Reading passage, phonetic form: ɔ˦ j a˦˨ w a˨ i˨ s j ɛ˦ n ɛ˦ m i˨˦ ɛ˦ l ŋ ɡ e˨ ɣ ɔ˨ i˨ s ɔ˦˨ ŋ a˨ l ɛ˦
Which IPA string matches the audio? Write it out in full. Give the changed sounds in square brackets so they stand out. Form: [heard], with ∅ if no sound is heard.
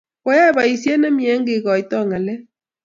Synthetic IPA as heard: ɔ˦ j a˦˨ [β] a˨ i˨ s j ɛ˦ n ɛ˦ m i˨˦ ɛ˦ [∅] ŋ ɡ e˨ ɣ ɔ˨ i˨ [t] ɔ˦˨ ŋ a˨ l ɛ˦